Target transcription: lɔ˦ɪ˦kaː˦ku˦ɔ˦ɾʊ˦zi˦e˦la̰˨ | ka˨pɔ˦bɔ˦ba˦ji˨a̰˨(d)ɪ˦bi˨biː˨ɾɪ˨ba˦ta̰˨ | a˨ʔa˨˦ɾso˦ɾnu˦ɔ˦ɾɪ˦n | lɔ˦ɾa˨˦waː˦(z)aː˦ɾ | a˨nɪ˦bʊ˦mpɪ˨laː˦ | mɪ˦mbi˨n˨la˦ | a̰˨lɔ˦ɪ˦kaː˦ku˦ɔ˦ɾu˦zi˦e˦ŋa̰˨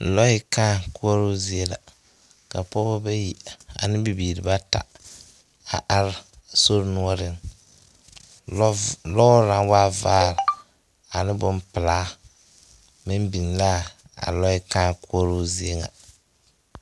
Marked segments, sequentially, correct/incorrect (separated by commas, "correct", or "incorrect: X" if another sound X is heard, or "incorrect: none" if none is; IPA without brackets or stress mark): incorrect: n, incorrect: v